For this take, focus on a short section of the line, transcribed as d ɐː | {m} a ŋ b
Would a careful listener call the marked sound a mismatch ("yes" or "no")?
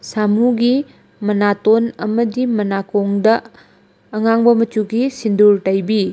yes